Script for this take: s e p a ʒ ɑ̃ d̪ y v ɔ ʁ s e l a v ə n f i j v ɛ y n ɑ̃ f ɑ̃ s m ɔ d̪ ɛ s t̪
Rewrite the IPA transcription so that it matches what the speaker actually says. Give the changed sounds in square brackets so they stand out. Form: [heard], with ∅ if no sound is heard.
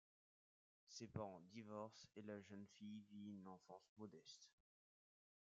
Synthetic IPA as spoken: s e p a [ʁ] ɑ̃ d̪ [i] v ɔ ʁ s e l a [ʒ] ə n f i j v [i] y n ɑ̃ f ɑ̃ s m ɔ d̪ ɛ s t̪